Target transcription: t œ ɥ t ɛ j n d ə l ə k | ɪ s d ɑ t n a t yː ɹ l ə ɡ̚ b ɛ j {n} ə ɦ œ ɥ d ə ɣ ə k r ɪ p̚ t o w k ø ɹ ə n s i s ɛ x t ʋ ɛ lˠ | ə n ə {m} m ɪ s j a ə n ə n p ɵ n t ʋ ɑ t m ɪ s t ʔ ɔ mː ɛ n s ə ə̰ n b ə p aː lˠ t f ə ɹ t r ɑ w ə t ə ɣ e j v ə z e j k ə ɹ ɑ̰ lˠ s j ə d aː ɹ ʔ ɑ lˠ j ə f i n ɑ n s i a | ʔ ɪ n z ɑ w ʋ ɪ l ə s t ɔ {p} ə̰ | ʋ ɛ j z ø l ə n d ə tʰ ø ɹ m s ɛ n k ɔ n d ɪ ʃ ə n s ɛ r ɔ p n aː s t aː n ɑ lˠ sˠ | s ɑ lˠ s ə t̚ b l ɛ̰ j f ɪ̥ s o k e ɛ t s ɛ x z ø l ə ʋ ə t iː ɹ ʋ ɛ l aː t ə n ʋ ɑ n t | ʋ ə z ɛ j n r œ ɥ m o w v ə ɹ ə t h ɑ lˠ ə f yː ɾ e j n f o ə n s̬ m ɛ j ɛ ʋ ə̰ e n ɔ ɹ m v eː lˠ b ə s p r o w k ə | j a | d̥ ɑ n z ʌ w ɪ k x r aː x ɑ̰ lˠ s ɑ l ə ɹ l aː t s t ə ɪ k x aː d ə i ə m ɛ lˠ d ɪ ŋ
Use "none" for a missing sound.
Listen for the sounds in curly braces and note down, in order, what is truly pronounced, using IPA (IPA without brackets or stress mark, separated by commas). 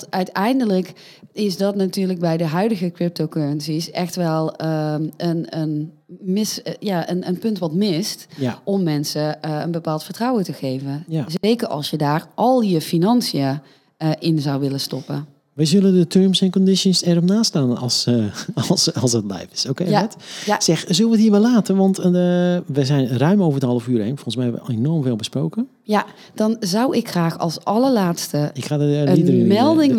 d, n, p